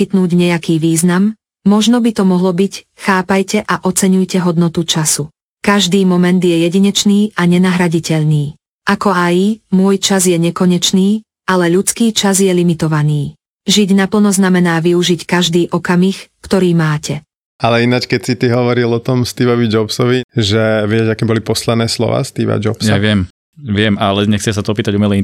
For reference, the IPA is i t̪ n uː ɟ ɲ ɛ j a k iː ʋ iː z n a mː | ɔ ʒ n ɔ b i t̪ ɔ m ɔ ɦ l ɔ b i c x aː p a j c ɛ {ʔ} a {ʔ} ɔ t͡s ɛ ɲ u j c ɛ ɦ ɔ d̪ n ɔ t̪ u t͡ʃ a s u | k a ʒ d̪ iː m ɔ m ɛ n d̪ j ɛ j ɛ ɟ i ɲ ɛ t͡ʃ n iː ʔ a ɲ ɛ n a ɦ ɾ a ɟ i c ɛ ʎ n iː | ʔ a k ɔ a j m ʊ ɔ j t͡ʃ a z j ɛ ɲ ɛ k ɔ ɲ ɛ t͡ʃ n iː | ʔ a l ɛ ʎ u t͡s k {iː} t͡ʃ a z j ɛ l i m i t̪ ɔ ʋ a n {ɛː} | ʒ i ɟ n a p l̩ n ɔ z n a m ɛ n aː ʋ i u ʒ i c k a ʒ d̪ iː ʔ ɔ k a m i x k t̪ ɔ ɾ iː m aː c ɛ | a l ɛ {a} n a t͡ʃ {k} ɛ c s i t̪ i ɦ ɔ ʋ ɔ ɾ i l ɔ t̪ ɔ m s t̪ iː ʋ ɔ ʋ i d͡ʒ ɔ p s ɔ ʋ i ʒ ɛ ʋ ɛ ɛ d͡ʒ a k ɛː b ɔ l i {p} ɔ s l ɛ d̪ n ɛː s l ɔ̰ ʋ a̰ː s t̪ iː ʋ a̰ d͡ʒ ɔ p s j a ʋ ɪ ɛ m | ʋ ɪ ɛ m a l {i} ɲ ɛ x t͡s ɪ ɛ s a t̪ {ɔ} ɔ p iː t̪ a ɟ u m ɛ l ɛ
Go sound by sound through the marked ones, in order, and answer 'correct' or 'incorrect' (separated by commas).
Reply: correct, correct, correct, incorrect, incorrect, correct, correct, incorrect, correct